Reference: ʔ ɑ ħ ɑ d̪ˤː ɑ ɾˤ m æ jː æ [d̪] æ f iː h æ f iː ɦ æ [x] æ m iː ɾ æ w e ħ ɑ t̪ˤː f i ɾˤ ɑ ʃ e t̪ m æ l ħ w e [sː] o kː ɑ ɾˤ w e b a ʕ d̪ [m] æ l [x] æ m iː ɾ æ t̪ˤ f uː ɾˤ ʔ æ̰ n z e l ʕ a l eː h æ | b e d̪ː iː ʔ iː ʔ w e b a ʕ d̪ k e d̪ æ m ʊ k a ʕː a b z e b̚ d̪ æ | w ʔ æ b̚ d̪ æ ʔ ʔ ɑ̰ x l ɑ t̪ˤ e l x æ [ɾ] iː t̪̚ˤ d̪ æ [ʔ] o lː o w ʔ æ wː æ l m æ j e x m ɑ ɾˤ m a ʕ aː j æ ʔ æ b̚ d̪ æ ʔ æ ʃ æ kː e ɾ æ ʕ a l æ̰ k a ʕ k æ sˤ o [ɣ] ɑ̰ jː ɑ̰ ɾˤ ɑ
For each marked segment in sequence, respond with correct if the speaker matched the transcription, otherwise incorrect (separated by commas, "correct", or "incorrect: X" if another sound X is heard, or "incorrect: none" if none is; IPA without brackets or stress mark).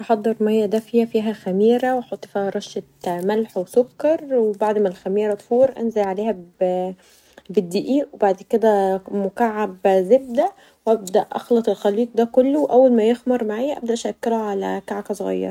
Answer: correct, correct, incorrect: s, correct, correct, incorrect: l, incorrect: k, correct